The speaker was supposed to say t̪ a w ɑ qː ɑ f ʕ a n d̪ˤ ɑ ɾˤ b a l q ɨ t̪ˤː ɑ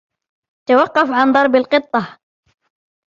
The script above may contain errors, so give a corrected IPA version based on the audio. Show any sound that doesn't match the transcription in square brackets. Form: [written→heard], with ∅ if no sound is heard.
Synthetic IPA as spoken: t̪ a w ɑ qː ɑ f ʕ a n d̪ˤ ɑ ɾˤ b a l q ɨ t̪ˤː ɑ

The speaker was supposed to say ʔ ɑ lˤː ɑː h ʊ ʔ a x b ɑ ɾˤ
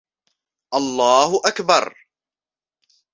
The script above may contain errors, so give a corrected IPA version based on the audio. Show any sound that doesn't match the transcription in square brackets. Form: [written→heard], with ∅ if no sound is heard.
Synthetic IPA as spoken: ʔ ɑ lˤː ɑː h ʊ ʔ a [x→k] b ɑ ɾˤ

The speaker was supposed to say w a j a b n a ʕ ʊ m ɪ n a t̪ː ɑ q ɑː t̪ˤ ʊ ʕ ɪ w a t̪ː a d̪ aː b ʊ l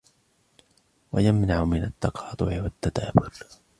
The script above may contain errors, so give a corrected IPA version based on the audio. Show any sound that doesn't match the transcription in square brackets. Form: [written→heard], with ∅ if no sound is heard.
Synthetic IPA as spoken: w a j a [b→m] n a ʕ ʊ m ɪ n a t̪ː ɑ q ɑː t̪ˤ ʊ ʕ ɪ w a t̪ː a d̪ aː b ʊ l

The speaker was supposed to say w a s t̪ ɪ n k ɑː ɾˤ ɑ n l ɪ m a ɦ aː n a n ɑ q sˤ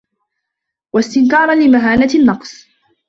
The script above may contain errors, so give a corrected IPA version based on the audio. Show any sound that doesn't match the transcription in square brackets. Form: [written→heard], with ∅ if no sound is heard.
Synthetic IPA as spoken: w a s t̪ ɪ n k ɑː ɾˤ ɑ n l ɪ m a ɦ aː n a [n→nː] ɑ q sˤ

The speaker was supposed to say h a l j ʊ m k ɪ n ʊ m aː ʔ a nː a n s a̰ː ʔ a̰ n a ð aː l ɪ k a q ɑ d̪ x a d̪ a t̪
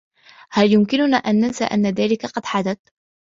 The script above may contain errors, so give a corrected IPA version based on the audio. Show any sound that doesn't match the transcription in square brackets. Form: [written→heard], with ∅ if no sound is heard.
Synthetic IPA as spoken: h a l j ʊ m k ɪ n ʊ [m→n] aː ʔ a nː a n s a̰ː ʔ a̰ [n→nː] a ð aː l ɪ k a q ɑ d̪ [x→ħ] a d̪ a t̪

